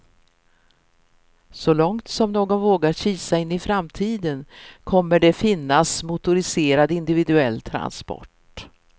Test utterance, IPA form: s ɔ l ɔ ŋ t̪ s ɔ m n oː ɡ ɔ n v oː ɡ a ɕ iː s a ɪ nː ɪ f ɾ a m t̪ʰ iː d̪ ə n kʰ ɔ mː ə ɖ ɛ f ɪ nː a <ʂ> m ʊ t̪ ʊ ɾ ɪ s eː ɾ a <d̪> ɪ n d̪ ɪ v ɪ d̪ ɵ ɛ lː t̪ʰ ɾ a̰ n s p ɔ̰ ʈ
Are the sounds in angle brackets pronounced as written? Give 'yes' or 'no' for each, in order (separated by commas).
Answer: no, yes